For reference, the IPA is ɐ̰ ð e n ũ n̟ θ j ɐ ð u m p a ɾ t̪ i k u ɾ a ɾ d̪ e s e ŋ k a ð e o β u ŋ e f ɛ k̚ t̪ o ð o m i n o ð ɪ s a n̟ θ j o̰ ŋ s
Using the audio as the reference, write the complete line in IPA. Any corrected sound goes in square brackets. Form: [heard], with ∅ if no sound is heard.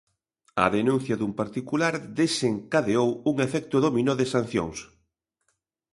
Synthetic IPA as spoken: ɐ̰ ð e n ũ n̟ θ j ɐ ð u m p a ɾ t̪ i k u [l] a ɾ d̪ e s e ŋ k a ð e o [w] u ŋ e f ɛ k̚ t̪ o ð o m i n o ð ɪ s a n̟ θ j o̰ ŋ s